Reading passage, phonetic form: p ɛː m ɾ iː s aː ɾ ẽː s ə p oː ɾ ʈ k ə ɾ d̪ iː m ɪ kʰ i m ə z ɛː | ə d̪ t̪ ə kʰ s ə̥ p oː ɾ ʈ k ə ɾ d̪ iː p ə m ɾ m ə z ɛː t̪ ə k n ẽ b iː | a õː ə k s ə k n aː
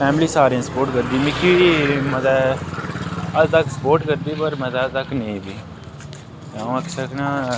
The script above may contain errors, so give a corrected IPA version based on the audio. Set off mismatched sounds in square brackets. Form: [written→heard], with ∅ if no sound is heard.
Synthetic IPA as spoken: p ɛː m [ɾ→l] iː s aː ɾ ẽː s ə p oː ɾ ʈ k ə ɾ d̪ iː m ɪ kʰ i m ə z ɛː | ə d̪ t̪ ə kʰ s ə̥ p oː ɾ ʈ k ə ɾ d̪ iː p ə [m→∅] ɾ m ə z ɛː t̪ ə k n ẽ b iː | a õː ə k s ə k n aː